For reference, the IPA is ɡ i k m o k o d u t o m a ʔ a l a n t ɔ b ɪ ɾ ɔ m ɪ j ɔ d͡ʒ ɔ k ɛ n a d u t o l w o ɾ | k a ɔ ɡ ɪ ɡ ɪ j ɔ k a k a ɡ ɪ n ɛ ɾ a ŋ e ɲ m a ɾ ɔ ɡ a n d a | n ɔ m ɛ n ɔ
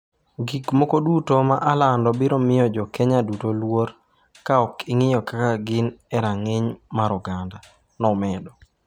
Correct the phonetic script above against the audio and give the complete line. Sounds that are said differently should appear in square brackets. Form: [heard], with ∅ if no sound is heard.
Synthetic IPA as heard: ɡ i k m o k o d u t o m a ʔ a l a n [d] ɔ b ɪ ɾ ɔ m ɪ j ɔ d͡ʒ ɔ k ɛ [ɲ] a d u t o l w o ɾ | k a ɔ [k] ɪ [ŋ] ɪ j ɔ k a k a ɡ ɪ n ɛ ɾ a ŋ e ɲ m a ɾ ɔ ɡ a n d a | n ɔ m ɛ [d] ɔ

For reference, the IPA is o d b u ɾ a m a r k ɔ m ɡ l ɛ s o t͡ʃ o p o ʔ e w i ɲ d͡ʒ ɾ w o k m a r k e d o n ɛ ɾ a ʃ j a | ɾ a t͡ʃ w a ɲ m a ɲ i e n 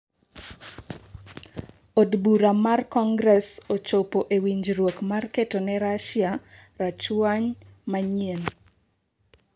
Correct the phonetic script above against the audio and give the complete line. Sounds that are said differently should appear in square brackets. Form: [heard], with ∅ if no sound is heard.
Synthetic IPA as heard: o d b u ɾ a m a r k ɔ [ŋ] ɡ [ɾ] ɛ s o t͡ʃ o p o ʔ e w i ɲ d͡ʒ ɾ w o k m a r k e [t] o n ɛ ɾ a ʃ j a | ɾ a t͡ʃ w a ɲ m a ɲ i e n

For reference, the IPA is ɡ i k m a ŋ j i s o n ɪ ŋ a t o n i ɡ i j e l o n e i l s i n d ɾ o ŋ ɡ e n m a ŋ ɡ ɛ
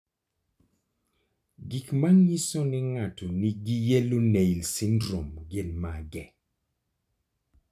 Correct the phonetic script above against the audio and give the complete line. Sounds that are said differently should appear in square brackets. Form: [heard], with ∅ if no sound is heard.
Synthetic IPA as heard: ɡ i k m a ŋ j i s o n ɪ ŋ a t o n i ɡ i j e l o n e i l s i n d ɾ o [m] ɡ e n m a [∅] ɡ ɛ

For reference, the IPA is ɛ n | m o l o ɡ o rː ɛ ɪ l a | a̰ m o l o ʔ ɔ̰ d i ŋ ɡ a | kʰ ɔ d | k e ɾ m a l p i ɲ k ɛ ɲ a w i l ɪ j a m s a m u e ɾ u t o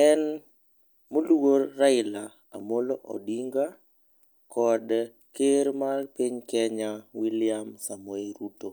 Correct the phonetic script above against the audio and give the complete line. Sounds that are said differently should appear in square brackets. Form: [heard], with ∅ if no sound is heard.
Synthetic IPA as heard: ɛ n | m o l [u] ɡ o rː [a] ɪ l a | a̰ m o l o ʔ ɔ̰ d i ŋ ɡ a | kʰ ɔ d | k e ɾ m a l p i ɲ k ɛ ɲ a w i l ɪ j a m s a m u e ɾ u t o

